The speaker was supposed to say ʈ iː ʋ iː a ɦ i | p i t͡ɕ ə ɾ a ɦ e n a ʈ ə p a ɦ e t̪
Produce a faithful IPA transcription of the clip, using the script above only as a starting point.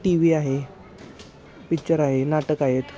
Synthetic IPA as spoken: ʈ i ʋ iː a ɦ e | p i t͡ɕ ə ɾ a ɦ e n a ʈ ə k a ɦ e t̪